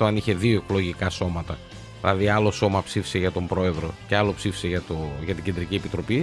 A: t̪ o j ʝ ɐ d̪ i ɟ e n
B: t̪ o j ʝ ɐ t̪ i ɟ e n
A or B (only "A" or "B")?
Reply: B